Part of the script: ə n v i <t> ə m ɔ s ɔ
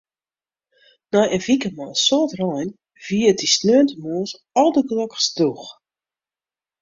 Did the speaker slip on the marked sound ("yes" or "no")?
yes